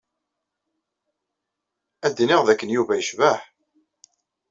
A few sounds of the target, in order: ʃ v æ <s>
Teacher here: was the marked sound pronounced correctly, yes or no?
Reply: no